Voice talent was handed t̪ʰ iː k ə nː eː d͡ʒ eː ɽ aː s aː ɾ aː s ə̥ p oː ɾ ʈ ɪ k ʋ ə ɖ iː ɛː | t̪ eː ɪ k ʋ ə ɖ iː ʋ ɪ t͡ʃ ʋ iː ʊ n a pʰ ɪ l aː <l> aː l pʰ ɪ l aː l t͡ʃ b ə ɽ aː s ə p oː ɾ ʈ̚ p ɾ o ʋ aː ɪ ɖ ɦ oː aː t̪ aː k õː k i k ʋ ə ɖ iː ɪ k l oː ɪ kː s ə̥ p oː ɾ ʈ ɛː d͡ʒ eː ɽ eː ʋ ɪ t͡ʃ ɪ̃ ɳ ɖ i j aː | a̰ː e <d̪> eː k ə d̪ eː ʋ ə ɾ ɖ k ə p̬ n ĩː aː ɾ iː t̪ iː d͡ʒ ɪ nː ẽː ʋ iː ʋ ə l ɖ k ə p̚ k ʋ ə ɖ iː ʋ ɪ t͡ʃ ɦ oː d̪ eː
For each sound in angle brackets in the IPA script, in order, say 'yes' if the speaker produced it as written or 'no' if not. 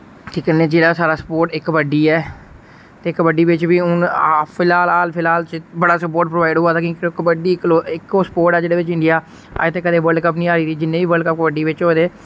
yes, no

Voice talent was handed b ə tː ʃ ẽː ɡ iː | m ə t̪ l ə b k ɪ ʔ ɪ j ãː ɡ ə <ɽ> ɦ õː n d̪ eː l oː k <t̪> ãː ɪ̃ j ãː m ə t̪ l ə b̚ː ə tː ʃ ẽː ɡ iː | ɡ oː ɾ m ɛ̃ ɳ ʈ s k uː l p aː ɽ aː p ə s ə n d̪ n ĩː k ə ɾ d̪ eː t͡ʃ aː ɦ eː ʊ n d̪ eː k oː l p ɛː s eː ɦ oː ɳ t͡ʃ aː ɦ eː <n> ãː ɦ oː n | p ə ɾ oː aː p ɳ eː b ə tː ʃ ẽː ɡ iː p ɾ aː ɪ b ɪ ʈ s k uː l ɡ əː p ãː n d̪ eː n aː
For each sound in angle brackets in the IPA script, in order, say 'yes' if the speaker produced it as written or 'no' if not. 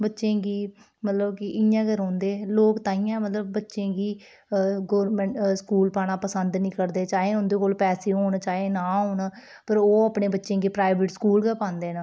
no, yes, yes

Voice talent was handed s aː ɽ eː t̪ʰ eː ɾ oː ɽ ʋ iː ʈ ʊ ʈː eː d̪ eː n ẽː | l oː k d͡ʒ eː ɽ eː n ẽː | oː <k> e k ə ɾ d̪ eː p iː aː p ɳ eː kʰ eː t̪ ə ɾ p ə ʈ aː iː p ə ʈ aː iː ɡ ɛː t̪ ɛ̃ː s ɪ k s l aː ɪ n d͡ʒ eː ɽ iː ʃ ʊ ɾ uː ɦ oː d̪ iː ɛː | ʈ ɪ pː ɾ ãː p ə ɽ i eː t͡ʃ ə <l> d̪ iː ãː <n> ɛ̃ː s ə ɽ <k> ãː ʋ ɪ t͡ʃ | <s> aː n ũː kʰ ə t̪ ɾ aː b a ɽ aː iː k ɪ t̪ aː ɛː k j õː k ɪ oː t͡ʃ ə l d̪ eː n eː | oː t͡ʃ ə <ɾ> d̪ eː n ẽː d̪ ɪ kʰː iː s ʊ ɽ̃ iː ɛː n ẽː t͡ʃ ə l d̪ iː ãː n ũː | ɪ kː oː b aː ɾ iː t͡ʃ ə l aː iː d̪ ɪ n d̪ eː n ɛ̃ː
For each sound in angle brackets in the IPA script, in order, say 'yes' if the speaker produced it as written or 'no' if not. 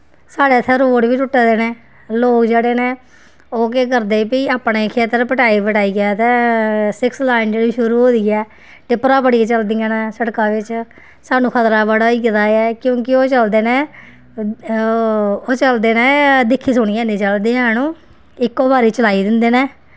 yes, yes, yes, yes, yes, no

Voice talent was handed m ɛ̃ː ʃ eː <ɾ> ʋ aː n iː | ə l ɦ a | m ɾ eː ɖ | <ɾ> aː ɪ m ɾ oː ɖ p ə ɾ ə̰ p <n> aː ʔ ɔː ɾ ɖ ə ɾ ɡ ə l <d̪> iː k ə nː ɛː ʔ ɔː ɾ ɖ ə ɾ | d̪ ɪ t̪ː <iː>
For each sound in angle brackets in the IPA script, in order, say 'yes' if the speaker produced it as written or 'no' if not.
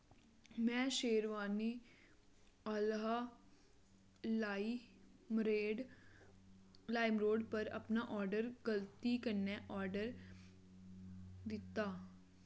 yes, no, yes, no, no

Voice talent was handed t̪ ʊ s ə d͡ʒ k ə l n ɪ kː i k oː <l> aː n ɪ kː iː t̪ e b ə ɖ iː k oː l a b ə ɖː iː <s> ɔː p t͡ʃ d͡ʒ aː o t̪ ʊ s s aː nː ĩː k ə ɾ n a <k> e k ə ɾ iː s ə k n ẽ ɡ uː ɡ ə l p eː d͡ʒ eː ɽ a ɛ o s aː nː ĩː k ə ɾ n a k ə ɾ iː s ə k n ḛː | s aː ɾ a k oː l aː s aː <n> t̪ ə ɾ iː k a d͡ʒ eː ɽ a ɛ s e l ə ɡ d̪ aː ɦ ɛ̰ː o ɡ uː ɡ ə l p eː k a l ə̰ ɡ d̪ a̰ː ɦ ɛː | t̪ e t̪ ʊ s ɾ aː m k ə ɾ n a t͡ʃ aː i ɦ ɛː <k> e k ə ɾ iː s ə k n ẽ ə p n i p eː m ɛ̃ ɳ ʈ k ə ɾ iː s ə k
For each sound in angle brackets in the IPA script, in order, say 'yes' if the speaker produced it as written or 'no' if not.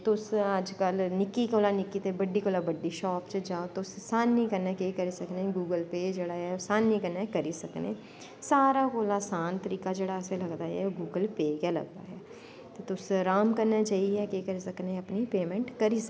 yes, no, yes, yes, yes

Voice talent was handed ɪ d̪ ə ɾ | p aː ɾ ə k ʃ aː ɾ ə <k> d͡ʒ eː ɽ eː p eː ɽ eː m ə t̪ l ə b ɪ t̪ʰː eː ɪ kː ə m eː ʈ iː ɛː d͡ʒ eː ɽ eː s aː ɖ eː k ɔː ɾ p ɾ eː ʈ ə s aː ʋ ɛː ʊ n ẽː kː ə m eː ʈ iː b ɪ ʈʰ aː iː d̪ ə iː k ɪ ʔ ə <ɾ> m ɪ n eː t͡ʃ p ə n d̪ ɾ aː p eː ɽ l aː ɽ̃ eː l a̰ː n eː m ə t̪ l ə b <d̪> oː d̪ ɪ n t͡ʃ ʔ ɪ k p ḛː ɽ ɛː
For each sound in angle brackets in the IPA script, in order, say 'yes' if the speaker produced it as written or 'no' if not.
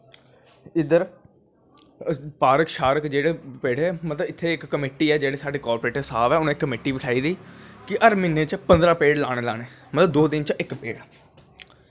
yes, yes, yes

